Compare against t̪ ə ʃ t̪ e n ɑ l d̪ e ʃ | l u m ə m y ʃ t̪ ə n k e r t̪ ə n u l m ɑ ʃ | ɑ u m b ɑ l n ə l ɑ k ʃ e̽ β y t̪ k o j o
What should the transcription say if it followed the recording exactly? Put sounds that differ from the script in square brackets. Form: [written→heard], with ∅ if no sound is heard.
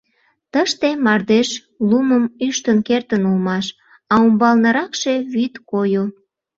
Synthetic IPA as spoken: t̪ ə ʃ t̪ e [n→m] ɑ [l→r] d̪ e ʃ | l u m ə m y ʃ t̪ ə n k e r t̪ ə n u l m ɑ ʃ | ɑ u m b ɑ l n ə [l→ɾ] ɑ k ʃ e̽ β y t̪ k o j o